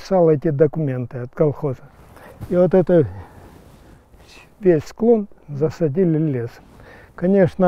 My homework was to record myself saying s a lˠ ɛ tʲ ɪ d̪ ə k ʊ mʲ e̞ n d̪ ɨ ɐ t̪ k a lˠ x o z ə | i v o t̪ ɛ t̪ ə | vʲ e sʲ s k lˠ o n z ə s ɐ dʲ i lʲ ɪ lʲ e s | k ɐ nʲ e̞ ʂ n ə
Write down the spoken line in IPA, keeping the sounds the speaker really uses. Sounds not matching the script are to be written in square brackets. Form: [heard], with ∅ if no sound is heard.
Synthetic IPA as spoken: s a lˠ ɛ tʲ ɪ d̪ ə k ʊ mʲ e̞ n [t̪] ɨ ɐ t̪ k [ɐ] lˠ x o z ə | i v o t̪ ɛ t̪ ə | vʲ e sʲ s k lˠ o n z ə s ɐ dʲ i lʲ ɪ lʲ e s | k ɐ nʲ e̞ ʂ n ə